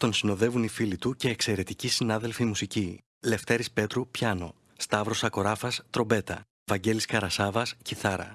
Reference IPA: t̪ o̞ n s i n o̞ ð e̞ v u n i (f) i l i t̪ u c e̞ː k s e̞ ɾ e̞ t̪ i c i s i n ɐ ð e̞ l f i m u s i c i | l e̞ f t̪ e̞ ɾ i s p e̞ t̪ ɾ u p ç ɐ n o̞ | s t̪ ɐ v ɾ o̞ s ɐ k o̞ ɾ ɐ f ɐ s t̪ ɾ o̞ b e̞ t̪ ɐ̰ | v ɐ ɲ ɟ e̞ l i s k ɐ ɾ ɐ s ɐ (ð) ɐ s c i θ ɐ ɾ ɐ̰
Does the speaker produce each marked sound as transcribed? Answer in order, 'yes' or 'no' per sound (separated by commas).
yes, no